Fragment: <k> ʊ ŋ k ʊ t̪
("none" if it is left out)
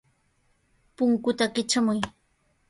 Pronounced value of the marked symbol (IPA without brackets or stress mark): p